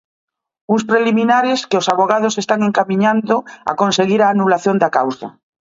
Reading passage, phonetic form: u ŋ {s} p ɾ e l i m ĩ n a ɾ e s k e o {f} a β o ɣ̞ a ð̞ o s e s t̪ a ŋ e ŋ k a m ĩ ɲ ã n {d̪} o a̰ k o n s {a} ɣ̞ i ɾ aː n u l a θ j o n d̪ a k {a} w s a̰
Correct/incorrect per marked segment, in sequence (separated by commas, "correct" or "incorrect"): correct, incorrect, correct, incorrect, correct